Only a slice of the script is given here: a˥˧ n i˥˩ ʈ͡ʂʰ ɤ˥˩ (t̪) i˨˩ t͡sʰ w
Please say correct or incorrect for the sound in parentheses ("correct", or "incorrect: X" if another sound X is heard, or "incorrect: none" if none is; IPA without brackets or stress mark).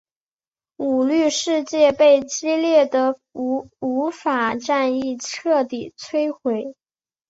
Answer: correct